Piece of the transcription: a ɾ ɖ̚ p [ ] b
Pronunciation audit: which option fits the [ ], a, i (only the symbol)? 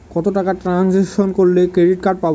a